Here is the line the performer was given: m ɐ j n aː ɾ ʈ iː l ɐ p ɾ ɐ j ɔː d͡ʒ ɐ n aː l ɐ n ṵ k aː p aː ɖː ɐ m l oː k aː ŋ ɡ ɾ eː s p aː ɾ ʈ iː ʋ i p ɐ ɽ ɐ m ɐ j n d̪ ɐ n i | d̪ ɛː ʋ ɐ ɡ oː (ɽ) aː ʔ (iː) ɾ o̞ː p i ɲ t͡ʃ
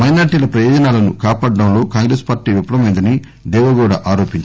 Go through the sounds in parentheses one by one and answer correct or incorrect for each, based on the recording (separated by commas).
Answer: correct, incorrect